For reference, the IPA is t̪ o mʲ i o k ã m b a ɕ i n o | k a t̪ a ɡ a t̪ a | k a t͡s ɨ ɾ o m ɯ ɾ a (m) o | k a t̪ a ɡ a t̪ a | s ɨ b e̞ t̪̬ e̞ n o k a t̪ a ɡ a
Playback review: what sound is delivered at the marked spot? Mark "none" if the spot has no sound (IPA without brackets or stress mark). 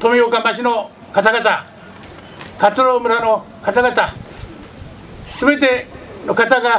n